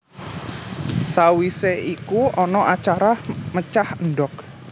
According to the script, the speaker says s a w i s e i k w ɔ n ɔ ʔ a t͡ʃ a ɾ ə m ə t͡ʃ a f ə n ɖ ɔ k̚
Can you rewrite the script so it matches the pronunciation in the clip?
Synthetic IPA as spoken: s a w i s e i k u ɔ n ɔ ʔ a t͡ʃ a ɾ a m ə t͡ʃ a h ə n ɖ ɔ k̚